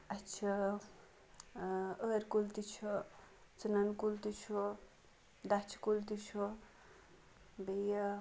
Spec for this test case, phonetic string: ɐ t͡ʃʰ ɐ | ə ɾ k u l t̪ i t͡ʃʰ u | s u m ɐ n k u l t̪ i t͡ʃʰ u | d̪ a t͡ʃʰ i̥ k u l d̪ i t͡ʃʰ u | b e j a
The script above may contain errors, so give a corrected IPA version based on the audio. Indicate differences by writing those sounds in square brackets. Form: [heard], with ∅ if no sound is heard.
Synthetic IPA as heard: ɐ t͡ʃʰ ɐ | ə ɾ k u l t̪ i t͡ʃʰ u | [t͡s] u [n] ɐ n k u l t̪ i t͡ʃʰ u | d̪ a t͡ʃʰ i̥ k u l [t̪] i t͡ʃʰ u | b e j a

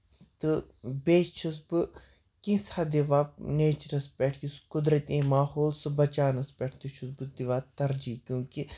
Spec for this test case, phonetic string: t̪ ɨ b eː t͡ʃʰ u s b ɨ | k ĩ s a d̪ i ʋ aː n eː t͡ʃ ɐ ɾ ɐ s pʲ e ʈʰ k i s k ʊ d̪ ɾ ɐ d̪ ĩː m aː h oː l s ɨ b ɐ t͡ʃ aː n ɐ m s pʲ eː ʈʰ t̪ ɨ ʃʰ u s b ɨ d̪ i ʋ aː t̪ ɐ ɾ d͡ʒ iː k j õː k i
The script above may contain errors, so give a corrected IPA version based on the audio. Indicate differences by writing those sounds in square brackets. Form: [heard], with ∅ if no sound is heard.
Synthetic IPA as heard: t̪ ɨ b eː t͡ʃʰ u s b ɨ | k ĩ s a d̪ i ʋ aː n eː t͡ʃ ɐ ɾ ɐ s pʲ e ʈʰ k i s k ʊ d̪ ɾ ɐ [t̪] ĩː m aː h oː l s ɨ b ɐ t͡ʃ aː n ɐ [∅] s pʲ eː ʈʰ t̪ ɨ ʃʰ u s b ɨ d̪ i ʋ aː t̪ ɐ ɾ d͡ʒ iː k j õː k i

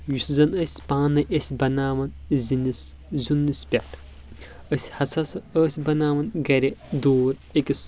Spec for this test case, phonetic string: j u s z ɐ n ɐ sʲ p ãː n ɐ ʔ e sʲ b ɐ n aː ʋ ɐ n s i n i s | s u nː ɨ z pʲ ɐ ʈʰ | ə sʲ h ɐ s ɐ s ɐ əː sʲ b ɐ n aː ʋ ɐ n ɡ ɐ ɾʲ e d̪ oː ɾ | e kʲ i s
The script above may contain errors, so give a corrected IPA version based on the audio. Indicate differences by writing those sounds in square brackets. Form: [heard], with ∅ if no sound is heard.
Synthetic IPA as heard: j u s z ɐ n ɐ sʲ p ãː n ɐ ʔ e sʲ b ɐ n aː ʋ ɐ n [z] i n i s | [z] u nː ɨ [s] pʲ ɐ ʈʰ | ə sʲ h ɐ s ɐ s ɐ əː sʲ b ɐ n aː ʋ ɐ n ɡ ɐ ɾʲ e d̪ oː ɾ | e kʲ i s

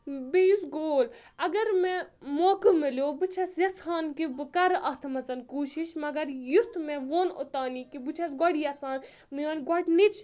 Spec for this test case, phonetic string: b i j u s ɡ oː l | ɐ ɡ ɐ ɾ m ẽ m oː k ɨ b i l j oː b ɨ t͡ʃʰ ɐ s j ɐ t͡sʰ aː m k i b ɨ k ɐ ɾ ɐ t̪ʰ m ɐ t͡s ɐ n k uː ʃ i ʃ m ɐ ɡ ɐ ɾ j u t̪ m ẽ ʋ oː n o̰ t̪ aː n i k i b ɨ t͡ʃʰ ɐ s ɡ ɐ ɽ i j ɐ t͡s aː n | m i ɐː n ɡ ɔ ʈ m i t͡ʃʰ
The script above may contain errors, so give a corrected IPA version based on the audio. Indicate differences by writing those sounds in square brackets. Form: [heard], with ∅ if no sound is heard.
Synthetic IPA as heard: b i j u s ɡ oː l | ɐ ɡ ɐ ɾ m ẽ m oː k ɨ [m] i l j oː b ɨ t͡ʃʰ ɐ s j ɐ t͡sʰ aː [n] k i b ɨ k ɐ ɾ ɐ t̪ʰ m ɐ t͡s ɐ n k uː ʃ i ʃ m ɐ ɡ ɐ ɾ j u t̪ m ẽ ʋ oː n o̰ t̪ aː n i k i b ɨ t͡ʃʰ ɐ s ɡ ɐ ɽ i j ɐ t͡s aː n | m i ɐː n ɡ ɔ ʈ [n] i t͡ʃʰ

